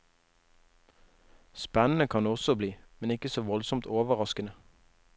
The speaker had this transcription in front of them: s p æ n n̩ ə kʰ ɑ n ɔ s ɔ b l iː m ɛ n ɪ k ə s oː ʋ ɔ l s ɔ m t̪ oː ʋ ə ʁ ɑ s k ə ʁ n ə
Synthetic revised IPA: s p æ n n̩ ə kʰ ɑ n ɔ s ɔ b l iː m ɛ n ɪ k ə s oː ʋ ɔ l s ɔ m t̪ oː ʋ ə ʁ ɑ s k ə n ə